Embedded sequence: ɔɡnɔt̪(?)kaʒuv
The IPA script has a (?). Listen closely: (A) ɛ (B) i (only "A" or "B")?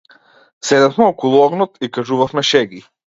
B